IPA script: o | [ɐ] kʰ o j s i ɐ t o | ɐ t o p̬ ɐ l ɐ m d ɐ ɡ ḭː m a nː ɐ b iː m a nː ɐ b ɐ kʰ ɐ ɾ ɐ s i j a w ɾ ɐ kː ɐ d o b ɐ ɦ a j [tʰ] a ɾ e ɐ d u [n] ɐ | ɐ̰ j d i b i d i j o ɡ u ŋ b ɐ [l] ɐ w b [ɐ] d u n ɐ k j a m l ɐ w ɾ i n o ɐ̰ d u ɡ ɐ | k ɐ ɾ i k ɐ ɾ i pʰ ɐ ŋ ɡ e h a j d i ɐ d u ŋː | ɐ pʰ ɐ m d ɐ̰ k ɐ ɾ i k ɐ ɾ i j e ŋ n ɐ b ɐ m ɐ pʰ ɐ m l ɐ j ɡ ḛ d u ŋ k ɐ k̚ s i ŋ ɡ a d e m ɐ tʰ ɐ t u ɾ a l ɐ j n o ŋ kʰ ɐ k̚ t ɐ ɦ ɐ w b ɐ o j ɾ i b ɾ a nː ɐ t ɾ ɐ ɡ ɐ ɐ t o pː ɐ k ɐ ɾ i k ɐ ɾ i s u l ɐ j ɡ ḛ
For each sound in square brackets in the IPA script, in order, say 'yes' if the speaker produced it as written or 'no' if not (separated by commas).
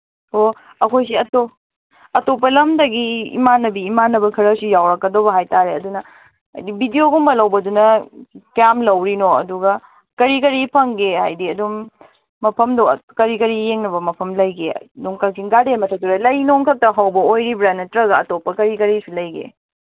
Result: yes, no, yes, yes, yes